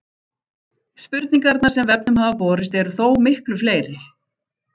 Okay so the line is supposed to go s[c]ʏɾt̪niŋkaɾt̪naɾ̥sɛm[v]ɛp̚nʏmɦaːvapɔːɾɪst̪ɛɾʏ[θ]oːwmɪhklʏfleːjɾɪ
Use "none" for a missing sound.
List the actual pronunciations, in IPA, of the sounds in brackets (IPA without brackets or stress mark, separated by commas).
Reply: p, v, θ